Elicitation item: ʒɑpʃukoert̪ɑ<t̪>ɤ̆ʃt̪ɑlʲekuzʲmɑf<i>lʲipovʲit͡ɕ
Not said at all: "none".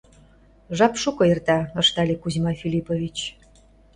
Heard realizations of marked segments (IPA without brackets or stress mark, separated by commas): none, i